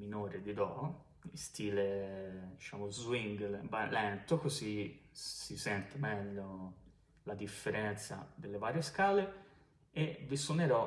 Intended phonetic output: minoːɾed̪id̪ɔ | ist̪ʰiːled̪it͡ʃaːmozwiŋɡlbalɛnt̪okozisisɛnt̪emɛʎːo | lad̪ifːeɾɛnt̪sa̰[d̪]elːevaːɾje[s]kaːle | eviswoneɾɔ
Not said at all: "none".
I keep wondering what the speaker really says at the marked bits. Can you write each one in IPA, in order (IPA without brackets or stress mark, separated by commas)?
d̪, s